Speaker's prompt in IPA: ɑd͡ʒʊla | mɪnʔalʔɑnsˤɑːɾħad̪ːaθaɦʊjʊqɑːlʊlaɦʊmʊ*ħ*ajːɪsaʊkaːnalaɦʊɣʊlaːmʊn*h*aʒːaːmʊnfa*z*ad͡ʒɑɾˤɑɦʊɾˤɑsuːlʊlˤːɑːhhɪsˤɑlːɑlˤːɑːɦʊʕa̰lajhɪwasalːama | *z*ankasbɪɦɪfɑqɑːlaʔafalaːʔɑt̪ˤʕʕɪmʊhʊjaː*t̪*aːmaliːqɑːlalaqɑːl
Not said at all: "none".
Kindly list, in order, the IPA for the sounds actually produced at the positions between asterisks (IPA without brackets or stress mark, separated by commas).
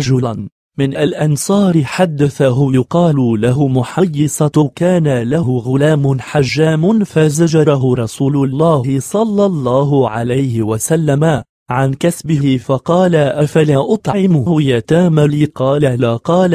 ħ, ħ, z, ʕ, t̪